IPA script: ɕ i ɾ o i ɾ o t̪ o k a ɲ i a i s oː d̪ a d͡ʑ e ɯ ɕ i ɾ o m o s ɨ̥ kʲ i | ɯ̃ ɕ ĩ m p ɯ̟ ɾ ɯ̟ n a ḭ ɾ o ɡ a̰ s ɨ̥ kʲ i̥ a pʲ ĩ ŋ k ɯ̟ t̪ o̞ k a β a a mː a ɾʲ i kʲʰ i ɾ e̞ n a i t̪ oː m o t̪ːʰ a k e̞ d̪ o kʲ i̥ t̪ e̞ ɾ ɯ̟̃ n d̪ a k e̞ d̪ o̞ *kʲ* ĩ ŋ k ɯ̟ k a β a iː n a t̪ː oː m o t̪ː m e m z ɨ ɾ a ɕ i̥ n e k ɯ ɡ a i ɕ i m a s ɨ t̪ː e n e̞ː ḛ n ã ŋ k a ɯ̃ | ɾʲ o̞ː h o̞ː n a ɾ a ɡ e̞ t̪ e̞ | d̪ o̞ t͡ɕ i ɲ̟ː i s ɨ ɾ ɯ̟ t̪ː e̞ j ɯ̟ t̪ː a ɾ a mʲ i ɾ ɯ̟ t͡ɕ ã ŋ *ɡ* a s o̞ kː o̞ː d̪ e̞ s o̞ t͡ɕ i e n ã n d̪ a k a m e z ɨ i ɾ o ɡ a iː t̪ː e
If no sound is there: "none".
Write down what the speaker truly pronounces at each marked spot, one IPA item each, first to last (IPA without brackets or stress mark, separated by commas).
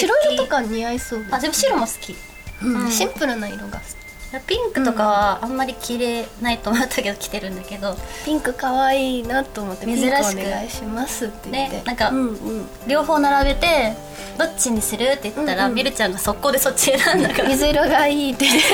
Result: pʲ, ɡ